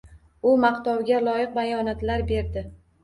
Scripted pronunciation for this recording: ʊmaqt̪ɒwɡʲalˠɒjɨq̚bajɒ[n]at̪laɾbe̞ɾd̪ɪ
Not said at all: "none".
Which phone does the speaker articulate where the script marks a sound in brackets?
n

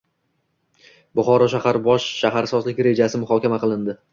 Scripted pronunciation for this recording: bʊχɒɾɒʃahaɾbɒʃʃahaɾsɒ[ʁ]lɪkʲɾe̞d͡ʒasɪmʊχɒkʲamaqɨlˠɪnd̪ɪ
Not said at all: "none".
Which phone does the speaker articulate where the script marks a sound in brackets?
z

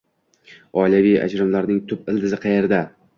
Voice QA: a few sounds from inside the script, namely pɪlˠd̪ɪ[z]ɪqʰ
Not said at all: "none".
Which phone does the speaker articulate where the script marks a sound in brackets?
z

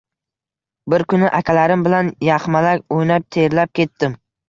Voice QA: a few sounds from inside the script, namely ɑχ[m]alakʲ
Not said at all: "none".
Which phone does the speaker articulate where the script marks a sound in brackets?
m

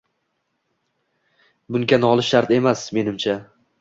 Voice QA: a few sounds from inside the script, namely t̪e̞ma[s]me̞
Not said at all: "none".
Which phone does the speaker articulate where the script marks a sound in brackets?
s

